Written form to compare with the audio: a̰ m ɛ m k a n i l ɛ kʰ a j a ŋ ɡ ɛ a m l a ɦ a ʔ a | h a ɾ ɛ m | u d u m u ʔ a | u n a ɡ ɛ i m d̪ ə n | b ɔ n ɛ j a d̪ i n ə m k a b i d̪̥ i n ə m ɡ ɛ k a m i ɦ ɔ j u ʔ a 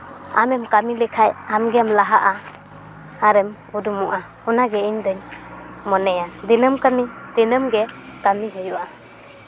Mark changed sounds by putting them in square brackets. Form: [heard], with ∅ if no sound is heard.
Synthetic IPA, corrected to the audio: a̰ m ɛ m k a [m] i l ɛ kʰ a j a [m] ɡ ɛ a m l a ɦ a ʔ a | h a ɾ ɛ m | u d u m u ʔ a | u n a ɡ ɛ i [ɲ] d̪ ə [ɲ] | [m] ɔ n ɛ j a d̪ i n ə m k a [m] i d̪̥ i n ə m ɡ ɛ k a m i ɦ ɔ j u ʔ a